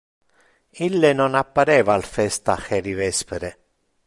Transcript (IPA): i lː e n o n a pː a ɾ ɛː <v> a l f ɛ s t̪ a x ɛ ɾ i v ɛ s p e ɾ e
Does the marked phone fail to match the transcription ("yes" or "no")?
no